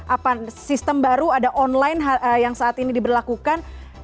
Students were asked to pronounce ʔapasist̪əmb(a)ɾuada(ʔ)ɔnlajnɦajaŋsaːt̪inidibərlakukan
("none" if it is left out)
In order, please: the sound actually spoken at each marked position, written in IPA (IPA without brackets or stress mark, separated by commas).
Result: a, ʔ